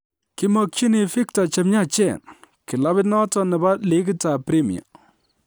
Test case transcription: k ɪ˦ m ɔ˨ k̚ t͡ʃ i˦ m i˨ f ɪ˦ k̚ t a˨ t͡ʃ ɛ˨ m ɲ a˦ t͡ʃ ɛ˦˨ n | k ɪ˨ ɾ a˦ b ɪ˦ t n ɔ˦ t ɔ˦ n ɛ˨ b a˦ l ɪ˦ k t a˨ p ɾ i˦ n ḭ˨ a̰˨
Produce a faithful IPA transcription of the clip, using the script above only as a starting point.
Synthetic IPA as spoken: k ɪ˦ m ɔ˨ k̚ t͡ʃ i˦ n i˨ f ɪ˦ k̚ t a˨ t͡ʃ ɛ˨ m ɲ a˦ t͡ʃ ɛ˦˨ n | k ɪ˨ l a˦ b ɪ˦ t n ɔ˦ t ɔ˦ n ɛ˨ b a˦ l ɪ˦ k t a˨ p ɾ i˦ m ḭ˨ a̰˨

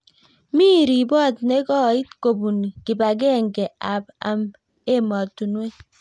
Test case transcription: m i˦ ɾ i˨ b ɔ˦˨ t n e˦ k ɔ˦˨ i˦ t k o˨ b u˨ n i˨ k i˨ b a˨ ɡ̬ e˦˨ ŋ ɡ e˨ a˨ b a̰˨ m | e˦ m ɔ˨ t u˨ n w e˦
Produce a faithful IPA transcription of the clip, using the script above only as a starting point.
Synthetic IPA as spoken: m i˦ ɾ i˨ b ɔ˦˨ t n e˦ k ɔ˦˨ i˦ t k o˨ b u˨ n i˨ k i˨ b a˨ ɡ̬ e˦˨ ŋ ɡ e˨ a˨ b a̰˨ m | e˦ m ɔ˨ t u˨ n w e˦

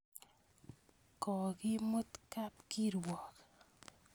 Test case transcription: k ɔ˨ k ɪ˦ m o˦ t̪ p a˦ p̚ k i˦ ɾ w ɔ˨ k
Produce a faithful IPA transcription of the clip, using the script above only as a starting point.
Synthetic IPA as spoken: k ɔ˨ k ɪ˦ m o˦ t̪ k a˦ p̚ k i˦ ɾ w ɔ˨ k

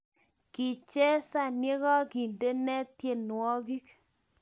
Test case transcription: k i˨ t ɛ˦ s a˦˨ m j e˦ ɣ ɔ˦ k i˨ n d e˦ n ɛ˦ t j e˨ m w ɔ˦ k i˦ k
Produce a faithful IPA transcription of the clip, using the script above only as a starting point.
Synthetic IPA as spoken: k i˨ t͡ʃ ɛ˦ s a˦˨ n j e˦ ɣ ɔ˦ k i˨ n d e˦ n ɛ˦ t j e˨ n w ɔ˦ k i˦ k

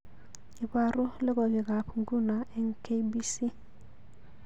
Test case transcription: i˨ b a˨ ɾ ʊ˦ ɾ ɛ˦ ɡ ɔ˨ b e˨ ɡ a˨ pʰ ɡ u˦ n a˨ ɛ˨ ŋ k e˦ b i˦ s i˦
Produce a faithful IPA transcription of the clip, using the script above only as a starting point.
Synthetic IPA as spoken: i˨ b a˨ ɾ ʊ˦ l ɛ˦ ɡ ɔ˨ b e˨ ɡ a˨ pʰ ɡ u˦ n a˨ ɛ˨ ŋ k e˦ b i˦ s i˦

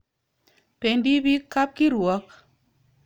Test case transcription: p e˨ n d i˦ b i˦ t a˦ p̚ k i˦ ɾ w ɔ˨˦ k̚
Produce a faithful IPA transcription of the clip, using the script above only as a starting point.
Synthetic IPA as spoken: p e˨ n d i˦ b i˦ k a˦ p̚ k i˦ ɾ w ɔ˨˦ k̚

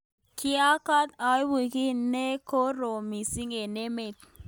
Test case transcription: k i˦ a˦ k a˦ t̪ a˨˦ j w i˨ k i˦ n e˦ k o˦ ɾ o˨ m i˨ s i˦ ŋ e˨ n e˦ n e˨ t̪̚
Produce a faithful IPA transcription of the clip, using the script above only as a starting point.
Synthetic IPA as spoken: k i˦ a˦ k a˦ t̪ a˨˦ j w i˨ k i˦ n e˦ k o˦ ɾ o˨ m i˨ s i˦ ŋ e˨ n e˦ m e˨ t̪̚

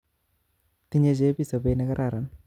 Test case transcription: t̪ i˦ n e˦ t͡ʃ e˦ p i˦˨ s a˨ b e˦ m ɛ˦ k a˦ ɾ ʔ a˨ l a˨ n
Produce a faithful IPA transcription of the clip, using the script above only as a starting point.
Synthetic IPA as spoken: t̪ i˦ ɲ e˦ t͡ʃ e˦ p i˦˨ s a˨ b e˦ n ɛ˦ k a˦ ɾ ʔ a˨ ɾ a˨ n

